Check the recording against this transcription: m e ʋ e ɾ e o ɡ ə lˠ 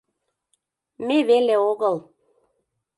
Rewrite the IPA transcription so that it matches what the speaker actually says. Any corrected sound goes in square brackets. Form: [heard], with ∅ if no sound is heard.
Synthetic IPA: m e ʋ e [l] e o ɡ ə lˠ